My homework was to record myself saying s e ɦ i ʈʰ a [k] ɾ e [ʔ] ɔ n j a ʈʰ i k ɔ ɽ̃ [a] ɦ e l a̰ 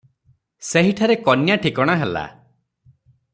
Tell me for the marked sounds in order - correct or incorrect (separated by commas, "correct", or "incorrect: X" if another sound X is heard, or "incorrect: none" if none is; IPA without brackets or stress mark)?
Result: incorrect: none, incorrect: k, correct